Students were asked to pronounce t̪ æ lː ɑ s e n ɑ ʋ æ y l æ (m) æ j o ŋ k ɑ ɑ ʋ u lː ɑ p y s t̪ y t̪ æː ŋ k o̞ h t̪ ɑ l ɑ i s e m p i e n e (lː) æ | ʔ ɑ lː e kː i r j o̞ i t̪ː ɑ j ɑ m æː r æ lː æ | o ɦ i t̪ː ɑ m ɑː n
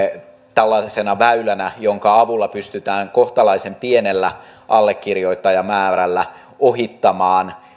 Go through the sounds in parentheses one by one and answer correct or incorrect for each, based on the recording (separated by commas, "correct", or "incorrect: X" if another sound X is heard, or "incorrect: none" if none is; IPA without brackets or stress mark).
incorrect: n, correct